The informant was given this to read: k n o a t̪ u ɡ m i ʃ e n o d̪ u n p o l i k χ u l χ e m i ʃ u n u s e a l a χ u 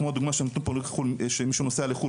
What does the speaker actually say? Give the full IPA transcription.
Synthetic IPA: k m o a d̪ u ɡ m a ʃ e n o t̪ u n p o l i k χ u l ʃ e m i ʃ u n o s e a l e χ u